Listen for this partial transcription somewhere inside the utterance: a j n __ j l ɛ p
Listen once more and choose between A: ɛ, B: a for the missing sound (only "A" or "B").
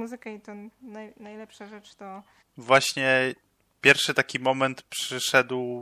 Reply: B